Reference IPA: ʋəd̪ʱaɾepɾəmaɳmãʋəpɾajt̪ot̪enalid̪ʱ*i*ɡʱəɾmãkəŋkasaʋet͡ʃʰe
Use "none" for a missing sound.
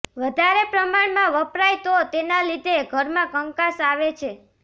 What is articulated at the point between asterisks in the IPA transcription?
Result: e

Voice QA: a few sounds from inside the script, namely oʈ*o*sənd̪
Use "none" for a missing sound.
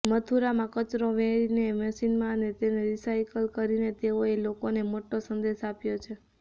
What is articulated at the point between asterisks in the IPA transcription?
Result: o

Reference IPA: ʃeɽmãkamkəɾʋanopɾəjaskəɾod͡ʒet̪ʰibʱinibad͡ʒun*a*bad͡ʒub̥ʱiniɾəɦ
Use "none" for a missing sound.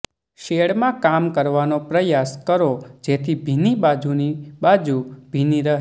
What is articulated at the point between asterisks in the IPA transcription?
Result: i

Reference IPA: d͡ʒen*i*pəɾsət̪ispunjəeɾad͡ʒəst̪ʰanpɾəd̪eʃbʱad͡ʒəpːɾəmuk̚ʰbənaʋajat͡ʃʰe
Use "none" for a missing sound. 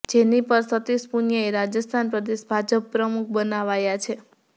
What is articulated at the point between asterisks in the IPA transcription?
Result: i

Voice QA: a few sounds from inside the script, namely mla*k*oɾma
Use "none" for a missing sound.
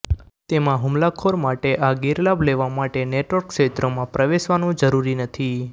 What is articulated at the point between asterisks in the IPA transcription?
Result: kʰ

